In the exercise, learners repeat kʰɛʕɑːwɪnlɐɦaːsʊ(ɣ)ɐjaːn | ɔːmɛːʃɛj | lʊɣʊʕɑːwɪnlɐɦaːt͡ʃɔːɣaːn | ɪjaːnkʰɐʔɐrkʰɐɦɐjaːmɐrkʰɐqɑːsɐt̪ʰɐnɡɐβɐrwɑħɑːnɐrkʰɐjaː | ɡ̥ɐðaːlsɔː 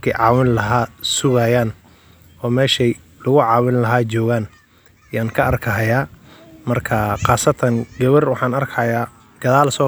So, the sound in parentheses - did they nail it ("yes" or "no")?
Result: yes